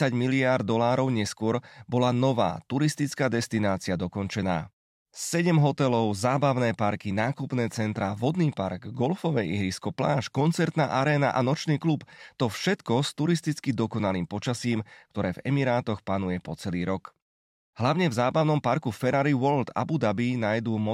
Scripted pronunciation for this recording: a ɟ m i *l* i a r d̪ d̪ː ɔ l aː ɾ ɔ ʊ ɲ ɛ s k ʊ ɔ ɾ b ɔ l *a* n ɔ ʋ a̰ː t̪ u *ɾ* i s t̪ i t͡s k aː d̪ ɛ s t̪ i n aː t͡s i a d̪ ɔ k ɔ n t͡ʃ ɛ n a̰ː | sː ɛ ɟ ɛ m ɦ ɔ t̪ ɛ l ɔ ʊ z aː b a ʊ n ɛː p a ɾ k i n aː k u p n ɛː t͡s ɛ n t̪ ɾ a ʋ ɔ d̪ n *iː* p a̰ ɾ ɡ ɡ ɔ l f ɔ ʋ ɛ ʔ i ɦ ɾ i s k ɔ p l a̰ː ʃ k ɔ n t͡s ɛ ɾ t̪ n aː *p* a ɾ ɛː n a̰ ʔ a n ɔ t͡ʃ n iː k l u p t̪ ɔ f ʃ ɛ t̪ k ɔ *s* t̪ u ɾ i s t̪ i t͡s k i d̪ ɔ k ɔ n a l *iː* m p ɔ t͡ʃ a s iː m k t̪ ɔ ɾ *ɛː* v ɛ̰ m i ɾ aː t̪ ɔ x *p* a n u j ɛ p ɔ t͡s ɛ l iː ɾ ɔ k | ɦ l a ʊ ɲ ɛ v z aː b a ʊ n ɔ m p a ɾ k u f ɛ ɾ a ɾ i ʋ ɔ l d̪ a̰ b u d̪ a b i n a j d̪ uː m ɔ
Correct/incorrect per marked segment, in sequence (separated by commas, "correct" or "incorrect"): correct, correct, correct, correct, incorrect, correct, correct, correct, correct